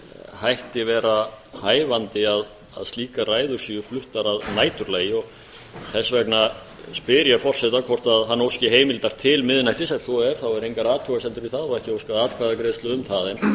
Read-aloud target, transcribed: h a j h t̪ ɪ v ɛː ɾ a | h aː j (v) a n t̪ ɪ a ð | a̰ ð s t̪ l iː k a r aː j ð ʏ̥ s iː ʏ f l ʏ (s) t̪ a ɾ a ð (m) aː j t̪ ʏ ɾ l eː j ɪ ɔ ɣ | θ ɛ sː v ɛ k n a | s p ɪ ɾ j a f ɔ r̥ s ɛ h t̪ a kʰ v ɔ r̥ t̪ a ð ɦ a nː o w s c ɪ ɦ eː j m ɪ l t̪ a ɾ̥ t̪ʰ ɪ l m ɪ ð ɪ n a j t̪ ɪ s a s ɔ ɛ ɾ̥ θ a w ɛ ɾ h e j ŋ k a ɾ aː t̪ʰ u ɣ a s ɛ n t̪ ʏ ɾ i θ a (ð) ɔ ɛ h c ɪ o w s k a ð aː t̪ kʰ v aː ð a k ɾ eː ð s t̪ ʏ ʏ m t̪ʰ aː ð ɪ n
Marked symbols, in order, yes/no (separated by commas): yes, no, no, yes